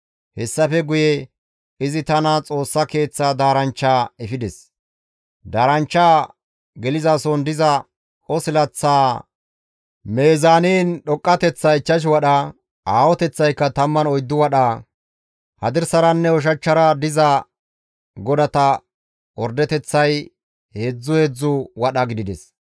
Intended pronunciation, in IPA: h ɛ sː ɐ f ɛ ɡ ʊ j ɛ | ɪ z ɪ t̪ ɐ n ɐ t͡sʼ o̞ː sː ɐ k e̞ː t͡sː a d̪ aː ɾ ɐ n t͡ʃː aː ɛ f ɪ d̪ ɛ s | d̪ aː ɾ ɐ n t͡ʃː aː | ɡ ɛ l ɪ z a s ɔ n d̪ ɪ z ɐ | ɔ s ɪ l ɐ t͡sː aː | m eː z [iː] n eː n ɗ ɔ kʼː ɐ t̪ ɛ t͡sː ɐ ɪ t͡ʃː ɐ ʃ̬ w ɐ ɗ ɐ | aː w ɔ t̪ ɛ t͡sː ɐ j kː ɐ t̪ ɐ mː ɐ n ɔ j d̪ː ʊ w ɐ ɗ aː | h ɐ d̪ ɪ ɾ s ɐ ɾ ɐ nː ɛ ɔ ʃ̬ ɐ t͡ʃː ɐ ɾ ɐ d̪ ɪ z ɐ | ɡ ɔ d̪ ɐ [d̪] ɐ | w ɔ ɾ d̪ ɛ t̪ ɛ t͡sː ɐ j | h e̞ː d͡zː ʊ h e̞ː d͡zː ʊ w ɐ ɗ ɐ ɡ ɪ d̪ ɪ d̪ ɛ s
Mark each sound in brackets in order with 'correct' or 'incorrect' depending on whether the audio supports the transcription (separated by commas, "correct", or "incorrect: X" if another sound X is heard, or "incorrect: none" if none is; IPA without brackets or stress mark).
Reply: incorrect: aː, incorrect: t̪